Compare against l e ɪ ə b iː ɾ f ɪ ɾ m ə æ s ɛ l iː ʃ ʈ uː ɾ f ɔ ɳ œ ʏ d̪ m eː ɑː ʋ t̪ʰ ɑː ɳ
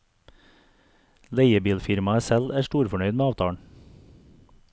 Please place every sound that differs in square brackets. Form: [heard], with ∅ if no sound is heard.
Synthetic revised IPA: l e ɪ ə b iː [l] f ɪ ɾ m [ɑ] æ s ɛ l [æː] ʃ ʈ uː ɾ f ɔ ɳ œ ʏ d̪ m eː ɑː ʋ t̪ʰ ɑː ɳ

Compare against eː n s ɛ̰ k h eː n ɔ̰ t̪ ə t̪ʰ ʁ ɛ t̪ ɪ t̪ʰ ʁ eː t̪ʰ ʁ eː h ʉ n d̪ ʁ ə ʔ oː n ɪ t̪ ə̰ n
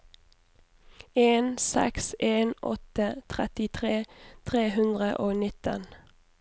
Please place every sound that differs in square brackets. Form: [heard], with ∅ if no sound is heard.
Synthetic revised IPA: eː n s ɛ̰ k [s] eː n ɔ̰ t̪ ə t̪ʰ ʁ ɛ t̪ ɪ t̪ʰ ʁ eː t̪ʰ ʁ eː h ʉ n d̪ ʁ ə ʔ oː n ɪ t̪ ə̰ n

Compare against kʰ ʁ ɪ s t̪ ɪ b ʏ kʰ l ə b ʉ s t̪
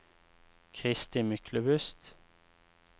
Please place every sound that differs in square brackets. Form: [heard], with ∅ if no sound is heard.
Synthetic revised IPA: kʰ ʁ ɪ s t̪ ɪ [m] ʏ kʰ l ə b ʉ s t̪

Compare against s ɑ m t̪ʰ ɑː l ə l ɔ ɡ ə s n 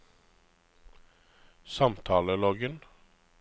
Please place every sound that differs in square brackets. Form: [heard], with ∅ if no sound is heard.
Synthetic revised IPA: s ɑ m t̪ʰ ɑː l ə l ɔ ɡ ə [∅] n

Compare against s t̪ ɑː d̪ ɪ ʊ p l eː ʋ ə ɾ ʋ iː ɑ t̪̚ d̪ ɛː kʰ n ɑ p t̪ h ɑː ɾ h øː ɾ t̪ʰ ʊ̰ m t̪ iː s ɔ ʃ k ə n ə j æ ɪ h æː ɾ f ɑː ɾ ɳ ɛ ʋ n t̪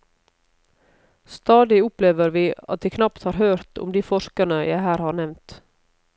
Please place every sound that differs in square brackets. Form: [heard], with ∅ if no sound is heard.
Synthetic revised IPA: s t̪ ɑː d̪ ɪ ʊ p l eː ʋ ə ɾ ʋ iː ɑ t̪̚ d̪ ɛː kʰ n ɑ p t̪ h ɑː ɾ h øː ɾ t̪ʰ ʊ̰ m [d̪] iː [f] ɔ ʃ k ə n ə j æ ɪ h æː ɾ [h] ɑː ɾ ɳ ɛ ʋ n t̪

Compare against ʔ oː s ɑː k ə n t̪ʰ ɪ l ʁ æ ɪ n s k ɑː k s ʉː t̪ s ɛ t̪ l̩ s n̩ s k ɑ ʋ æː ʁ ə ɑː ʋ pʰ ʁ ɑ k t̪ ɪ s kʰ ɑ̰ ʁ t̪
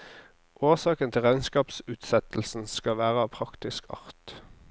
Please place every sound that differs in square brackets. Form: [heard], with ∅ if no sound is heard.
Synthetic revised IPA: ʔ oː s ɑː k ə n t̪ʰ ɪ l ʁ æ ɪ n s k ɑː [p] s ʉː t̪ s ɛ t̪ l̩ s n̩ s k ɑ ʋ æː ʁ ə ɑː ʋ pʰ ʁ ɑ k t̪ ɪ s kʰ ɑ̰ ʁ t̪

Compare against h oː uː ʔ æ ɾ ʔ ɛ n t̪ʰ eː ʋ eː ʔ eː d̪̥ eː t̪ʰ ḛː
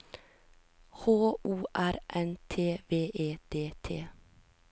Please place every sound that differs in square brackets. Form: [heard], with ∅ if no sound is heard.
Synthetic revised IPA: h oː uː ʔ æ ɾ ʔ ɛ n t̪ʰ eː ʋ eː ʔ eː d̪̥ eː t̪ʰ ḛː

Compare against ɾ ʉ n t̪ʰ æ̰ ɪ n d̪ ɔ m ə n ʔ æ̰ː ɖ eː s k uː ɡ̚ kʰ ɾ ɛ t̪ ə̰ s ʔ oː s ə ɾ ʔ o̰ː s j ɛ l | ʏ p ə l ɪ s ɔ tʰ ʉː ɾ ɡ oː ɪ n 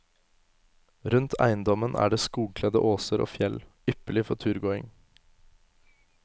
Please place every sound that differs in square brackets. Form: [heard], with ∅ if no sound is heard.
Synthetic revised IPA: ɾ ʉ n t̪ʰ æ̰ ɪ n d̪ ɔ m ə n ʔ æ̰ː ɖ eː s k uː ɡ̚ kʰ [l] ɛ [d̪] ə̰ [∅] ʔ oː s ə ɾ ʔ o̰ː [f] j ɛ l | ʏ p ə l ɪ [f] ɔ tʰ ʉː ɾ ɡ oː ɪ [ŋ]

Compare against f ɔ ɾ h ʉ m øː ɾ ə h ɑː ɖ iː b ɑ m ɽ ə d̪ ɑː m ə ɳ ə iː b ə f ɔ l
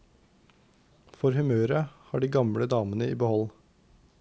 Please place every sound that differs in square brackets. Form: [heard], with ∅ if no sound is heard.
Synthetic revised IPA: f ɔ ɾ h ʉ m øː ɾ ə h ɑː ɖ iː [ɡ] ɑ m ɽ ə d̪ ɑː m ə [n] ə iː b ə [h] ɔ l

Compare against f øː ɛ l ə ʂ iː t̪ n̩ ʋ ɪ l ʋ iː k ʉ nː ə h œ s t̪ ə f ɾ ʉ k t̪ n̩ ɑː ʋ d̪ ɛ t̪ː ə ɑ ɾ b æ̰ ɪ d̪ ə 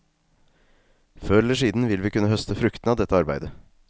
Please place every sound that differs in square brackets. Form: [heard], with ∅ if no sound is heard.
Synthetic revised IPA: f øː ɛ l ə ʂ iː [d̪] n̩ ʋ ɪ l ʋ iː k ʉ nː ə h œ s t̪ ə f ɾ ʉ k t̪ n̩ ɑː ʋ d̪ ɛ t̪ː ə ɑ ɾ b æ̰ ɪ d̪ ə

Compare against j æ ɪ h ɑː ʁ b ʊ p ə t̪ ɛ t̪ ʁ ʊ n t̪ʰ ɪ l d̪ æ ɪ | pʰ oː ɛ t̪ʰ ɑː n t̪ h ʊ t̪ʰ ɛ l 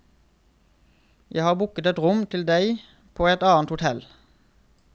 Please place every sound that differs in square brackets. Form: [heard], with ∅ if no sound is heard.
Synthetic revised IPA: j æ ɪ h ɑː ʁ b ʊ [k] ə t̪ ɛ t̪ ʁ ʊ [m] t̪ʰ ɪ l d̪ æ ɪ | pʰ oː ɛ [t̪] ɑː n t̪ h ʊ t̪ʰ ɛ l

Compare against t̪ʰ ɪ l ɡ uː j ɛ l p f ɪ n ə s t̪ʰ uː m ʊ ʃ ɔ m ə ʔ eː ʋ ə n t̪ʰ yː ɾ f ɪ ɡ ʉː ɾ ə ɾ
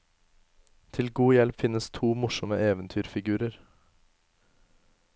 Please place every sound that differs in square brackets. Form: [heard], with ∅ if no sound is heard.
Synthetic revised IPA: t̪ʰ ɪ l ɡ uː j ɛ l p f ɪ n ə s t̪ʰ uː m ʊ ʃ ɔ m ə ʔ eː ʋ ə n t̪ʰ yː ɾ f ɪ ɡ ʉː ɾ ə ɾ

